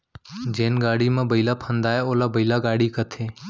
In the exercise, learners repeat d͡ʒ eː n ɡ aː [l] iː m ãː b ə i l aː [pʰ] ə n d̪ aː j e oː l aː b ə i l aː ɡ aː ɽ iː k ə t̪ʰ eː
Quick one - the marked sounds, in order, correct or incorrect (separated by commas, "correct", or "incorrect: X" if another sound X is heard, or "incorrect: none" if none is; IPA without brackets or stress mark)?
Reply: incorrect: ɽ, correct